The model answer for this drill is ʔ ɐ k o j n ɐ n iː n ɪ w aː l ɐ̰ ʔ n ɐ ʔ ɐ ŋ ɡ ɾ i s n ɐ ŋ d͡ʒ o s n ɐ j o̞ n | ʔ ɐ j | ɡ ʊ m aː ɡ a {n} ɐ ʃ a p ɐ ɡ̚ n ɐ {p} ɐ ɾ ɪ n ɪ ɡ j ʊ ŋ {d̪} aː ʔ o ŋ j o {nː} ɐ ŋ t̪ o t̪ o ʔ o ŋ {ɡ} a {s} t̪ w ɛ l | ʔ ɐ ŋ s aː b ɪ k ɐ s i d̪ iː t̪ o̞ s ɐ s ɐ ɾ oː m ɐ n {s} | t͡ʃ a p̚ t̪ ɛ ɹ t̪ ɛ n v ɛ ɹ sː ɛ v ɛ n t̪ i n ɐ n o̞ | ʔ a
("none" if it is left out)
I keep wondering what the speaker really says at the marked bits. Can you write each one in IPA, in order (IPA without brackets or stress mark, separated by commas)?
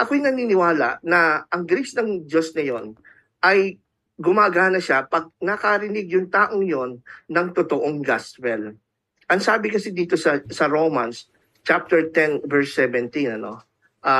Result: n, k, t̪, nː, ɡ, s, s